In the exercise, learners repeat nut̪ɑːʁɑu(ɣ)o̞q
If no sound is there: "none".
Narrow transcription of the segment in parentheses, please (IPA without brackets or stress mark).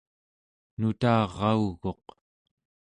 ɣ